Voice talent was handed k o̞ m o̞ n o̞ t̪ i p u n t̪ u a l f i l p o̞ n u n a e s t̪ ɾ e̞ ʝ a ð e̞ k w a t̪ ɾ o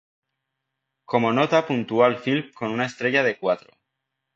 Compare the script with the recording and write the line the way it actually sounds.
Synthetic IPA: k o̞ m o̞ n o̞ t̪ a p u n t̪ u a l f i l k o̞ n u n a e s t̪ ɾ e̞ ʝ a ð e̞ k w a t̪ ɾ o